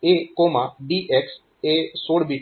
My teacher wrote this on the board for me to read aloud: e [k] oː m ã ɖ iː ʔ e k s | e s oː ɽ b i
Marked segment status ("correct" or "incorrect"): correct